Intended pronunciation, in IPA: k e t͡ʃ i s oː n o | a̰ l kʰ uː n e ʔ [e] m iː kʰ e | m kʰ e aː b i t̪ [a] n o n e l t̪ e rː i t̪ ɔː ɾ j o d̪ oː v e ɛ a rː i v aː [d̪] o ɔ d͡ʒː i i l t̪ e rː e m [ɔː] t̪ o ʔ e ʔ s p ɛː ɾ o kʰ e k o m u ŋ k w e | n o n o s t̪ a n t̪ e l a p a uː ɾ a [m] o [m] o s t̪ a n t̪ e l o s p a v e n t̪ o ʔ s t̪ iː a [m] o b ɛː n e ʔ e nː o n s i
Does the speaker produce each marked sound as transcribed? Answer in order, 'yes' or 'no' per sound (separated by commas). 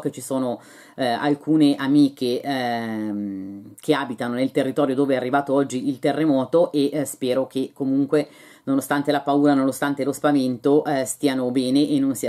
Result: no, yes, no, yes, no, no, no